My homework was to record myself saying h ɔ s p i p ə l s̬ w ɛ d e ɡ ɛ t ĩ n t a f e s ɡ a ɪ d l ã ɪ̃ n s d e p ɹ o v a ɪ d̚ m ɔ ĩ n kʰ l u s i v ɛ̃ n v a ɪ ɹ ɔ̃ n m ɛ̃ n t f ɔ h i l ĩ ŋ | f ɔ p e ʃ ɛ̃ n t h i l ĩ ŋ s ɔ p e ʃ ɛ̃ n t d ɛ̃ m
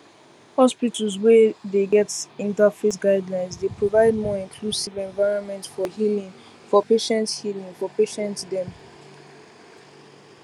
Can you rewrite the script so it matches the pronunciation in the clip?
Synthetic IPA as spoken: h ɔ s p i t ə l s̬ w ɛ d e ɡ ɛ t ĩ n t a f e s ɡ a ɪ d l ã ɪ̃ n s d e p ɹ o v a ɪ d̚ m ɔ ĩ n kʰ l u s i v ɛ̃ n v a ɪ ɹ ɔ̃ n m ɛ̃ n t f ɔ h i l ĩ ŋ | f ɔ p e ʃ ɛ̃ n t h i l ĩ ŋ f ɔ p e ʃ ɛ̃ n t d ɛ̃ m